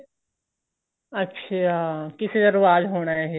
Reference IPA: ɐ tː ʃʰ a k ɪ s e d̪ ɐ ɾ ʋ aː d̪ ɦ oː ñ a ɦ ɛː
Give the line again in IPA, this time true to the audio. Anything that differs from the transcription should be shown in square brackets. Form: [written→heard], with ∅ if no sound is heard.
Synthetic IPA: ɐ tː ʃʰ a k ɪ s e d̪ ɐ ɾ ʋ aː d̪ ɦ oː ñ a ɦ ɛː

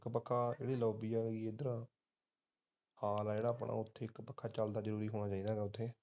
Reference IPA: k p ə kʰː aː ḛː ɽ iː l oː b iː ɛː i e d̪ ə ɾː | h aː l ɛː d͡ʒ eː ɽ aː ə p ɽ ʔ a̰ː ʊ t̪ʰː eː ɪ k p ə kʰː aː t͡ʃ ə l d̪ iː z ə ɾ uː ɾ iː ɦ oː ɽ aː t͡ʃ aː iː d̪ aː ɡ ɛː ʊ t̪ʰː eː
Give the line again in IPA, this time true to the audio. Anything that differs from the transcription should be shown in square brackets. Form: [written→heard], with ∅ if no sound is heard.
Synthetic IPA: k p ə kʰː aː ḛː ɽ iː l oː b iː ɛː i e d̪ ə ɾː | h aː l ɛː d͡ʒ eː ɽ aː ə p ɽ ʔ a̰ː ʊ t̪ʰː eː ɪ k p ə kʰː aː t͡ʃ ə l d̪ [iː→aː] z ə ɾ uː ɾ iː ɦ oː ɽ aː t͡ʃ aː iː d̪ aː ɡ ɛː ʊ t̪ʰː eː

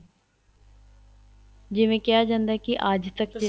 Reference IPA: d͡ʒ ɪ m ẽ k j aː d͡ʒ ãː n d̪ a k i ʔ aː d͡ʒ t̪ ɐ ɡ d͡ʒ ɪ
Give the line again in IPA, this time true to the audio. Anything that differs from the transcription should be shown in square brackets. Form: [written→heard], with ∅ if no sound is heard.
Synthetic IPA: d͡ʒ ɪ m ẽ k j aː d͡ʒ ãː n d̪ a k i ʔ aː d͡ʒ t̪ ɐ [ɡ→k] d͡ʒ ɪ

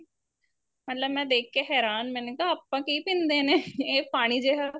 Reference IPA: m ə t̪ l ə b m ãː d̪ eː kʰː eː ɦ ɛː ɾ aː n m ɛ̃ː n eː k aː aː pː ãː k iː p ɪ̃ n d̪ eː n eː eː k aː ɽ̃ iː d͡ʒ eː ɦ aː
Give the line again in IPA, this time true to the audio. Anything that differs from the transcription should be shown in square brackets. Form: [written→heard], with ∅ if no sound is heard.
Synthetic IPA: m ə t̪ l ə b m [ãː→ɛ̃ː] d̪ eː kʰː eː ɦ ɛː ɾ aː n m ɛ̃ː n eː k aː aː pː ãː k iː p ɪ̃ n d̪ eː n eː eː [k→p] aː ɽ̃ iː d͡ʒ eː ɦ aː

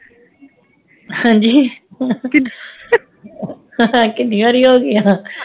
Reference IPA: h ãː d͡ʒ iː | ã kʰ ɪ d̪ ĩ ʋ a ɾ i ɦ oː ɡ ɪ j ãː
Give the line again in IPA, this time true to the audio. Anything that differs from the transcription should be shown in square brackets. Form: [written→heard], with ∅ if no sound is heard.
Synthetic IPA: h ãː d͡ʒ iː | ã [kʰ→k] ɪ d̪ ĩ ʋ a ɾ i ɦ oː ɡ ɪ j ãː

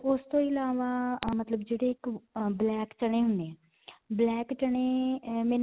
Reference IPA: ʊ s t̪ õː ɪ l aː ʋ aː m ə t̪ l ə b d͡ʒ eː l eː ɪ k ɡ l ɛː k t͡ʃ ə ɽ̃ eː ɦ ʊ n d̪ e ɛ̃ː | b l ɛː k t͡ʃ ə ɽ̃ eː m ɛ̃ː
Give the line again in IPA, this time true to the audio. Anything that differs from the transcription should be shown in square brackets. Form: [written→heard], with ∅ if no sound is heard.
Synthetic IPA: ʊ s t̪ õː ɪ l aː ʋ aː m ə t̪ l ə b d͡ʒ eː [l→ɽ] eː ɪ k [ɡ→b] l ɛː k t͡ʃ ə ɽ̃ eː ɦ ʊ n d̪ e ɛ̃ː | b l ɛː k t͡ʃ ə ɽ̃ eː m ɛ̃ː

